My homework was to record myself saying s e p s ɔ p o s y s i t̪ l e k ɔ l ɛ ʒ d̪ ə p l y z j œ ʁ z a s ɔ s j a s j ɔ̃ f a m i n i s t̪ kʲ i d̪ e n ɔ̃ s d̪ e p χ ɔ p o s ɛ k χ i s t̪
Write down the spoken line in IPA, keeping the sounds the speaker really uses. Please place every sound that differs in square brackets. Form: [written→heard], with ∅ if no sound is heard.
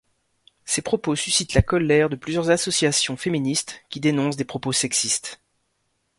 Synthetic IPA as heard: s e p [s→χ] ɔ p o s y s i t̪ l [e→a] k ɔ l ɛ [ʒ→ʁ] d̪ ə p l y z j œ ʁ z a s ɔ s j a s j ɔ̃ f [a→e] m i n i s t̪ kʲ i d̪ e n ɔ̃ s d̪ e p χ ɔ p o s ɛ k [χ→s] i s t̪